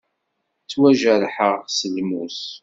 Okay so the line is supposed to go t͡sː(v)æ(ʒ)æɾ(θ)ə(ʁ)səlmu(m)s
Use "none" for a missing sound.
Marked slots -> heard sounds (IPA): w, ʒ, ħ, ʁ, none

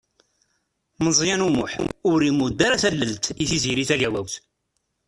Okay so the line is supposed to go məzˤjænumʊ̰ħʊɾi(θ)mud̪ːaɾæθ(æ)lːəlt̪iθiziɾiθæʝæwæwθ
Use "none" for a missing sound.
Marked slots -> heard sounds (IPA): none, æ

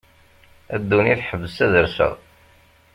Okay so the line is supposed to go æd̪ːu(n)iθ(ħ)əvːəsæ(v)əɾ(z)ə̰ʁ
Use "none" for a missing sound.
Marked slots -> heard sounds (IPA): n, ħ, ð, s

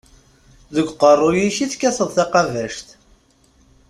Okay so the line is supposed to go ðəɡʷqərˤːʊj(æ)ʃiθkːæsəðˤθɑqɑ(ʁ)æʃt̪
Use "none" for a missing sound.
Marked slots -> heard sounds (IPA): i, v

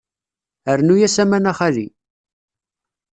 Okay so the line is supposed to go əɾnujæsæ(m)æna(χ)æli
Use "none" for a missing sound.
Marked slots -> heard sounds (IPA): m, χ

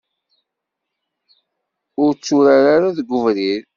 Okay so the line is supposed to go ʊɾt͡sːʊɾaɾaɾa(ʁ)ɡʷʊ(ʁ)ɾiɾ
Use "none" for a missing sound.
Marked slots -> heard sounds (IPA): ð, v

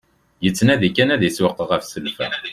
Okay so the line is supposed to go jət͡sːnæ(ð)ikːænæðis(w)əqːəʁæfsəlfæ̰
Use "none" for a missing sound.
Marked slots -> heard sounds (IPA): ð, w

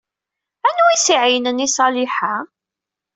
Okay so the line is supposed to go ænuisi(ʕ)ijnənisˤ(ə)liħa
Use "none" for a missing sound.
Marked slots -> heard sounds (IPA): ʕ, ɑ

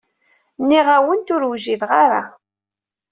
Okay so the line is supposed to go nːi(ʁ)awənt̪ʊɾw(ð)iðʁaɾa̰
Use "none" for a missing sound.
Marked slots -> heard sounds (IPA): ʁ, ʒ

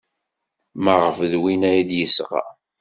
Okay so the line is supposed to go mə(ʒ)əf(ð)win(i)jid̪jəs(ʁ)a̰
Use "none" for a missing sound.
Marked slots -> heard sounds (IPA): ʁ, ð, æ, ʁ

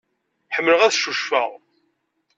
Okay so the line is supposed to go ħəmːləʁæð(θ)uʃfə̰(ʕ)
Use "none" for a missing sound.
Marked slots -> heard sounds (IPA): ʃ, ʁ

